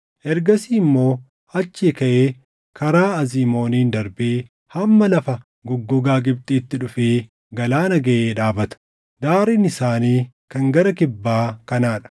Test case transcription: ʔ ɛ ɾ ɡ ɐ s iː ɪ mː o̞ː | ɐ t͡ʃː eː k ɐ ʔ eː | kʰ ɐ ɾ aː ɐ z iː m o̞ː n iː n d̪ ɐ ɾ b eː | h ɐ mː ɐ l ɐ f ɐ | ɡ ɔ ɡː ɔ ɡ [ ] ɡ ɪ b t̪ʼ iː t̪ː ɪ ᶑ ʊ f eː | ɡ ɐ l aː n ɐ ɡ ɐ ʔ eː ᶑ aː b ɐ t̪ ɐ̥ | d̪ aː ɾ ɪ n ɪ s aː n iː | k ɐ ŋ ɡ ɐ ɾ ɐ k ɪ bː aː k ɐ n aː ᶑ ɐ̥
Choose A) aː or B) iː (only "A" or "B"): A